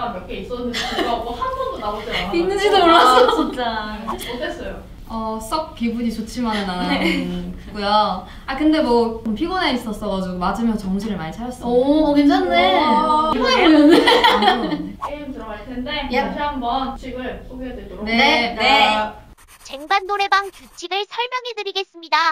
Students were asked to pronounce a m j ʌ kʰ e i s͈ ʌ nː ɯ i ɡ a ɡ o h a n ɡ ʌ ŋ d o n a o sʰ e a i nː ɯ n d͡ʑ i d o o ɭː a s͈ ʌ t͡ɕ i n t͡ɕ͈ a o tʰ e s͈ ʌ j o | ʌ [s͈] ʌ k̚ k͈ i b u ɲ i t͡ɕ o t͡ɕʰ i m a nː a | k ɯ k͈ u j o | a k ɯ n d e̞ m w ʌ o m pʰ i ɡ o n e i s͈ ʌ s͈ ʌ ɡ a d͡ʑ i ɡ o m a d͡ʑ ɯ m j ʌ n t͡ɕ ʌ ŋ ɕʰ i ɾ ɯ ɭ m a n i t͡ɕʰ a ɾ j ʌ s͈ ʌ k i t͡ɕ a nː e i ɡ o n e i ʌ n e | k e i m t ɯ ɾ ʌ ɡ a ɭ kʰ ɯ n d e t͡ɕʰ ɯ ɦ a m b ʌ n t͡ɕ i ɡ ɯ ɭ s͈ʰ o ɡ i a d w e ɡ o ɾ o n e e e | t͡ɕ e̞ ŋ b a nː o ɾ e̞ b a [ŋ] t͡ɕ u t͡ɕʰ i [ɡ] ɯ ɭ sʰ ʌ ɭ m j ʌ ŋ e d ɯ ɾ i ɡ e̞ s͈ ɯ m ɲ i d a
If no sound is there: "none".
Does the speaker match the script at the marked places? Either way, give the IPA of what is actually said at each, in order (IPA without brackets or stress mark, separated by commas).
s͈, ŋ, ɡ